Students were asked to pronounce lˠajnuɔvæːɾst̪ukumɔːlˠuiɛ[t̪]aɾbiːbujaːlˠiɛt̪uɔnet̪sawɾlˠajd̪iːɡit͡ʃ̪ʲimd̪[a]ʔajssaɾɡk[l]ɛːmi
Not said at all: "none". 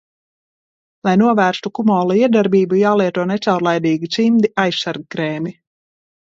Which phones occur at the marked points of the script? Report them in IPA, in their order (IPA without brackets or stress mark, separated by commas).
d̪, i, ɾ